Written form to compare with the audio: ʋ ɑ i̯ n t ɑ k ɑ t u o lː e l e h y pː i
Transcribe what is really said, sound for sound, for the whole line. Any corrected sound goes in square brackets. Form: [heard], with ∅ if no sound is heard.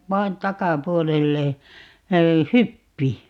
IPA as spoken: ʋ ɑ i̯ n t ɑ k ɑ [p] u o [l] e [lː] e h y pː i